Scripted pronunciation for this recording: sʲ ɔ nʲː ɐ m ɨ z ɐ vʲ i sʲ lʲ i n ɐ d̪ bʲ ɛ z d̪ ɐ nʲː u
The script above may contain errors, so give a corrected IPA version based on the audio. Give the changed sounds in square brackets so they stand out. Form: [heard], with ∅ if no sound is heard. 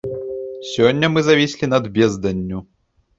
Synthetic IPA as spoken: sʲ ɔ nʲː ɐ m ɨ z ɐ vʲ i sʲ lʲ i n ɐ d̪ bʲ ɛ z d̪ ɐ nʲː u

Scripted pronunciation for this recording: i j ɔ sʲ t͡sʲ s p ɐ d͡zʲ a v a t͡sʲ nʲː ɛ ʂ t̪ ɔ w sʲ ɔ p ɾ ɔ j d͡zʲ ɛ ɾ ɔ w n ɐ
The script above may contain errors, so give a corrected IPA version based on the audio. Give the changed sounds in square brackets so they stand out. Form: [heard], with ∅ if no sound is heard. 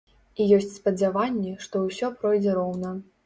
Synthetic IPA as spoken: i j ɔ sʲ t͡sʲ s p ɐ d͡zʲ a v a [∅] nʲː ɛ ʂ t̪ ɔ w sʲ ɔ p ɾ ɔ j d͡zʲ ɛ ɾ ɔ w n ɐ

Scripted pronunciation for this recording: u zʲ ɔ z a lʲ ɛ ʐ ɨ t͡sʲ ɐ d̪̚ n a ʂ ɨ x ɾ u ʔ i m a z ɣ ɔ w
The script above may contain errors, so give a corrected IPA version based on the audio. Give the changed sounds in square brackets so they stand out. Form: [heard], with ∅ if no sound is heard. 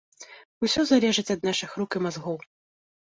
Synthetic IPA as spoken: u [sʲ] ɔ z a lʲ ɛ ʐ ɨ t͡sʲ ɐ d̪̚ n a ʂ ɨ x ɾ u [k] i m a z ɣ ɔ w

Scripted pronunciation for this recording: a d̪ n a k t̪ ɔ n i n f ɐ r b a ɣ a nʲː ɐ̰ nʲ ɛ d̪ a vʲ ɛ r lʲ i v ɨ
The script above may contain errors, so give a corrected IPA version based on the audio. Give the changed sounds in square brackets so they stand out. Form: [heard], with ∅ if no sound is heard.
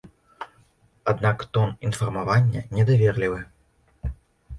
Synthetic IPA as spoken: a d̪ n a k t̪ ɔ n i n f ɐ r [m] a [v] a nʲː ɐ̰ nʲ ɛ d̪ a vʲ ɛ r lʲ i v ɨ

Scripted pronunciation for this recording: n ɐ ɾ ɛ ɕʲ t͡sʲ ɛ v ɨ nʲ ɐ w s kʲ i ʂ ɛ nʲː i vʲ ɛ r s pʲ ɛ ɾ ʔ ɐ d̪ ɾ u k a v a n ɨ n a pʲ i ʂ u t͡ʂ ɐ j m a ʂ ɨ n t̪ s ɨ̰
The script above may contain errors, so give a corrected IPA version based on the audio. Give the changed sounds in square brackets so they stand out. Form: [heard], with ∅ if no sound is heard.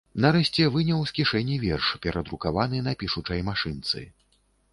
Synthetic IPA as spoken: n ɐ ɾ ɛ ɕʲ t͡sʲ ɛ v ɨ nʲ ɐ w s kʲ i ʂ ɛ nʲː i vʲ ɛ r [ʂ] pʲ ɛ ɾ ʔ ɐ d̪ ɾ u k a v a n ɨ n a pʲ i ʂ u t͡ʂ ɐ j m a ʂ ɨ n t̪ s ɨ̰

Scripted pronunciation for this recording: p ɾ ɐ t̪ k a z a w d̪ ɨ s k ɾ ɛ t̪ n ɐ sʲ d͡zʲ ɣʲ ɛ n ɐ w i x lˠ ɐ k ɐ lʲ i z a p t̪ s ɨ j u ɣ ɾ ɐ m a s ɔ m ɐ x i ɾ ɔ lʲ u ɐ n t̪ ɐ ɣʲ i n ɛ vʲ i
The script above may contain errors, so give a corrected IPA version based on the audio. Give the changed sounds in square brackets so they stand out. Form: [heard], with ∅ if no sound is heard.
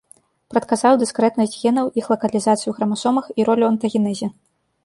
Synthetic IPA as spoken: p ɾ ɐ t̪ k a z a w d̪ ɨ s k ɾ ɛ t̪ n ɐ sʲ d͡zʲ ɣʲ ɛ n ɐ w i x lˠ ɐ k ɐ lʲ i z a [∅] t̪ s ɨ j u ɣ ɾ ɐ m a s ɔ m ɐ x i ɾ ɔ lʲ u ɐ n t̪ ɐ ɣʲ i n ɛ [zʲ] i

